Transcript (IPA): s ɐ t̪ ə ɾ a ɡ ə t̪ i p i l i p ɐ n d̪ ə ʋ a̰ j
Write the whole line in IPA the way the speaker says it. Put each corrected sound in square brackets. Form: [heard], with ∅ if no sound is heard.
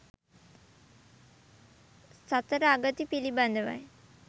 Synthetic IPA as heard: s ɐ t̪ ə ɾ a ɡ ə t̪ i p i l i [b] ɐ n d̪ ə ʋ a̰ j